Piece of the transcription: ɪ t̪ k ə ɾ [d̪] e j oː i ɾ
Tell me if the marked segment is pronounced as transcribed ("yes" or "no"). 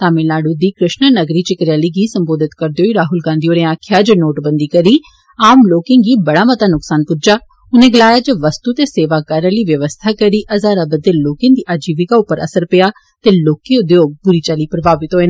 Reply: yes